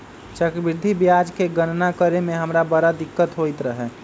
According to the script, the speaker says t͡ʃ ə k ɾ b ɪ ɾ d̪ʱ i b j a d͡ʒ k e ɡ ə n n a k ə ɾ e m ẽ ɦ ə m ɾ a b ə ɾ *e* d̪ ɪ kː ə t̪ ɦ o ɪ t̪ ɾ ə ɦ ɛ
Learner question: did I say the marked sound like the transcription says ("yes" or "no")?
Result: no